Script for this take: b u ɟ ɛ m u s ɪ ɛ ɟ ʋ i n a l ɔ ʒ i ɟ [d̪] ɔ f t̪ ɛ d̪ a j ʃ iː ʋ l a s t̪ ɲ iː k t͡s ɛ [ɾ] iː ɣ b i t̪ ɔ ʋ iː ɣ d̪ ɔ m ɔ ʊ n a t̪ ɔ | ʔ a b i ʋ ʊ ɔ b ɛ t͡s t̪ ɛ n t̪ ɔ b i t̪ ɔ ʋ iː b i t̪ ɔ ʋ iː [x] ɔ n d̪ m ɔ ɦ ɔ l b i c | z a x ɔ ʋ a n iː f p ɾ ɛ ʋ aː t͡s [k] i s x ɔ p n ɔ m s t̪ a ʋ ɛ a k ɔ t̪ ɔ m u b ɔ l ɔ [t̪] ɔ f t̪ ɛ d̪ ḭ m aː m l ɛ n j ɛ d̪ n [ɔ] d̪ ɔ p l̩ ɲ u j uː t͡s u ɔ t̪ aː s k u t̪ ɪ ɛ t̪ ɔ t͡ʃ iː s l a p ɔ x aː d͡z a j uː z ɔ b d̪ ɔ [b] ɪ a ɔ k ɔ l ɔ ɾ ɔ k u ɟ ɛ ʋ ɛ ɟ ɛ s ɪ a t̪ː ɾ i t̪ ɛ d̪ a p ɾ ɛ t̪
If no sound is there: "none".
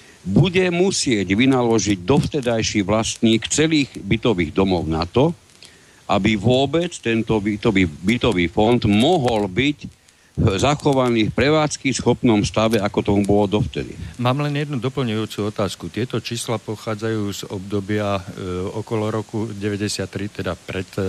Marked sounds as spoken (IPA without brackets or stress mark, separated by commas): d̪, l, f, k, d̪, u, b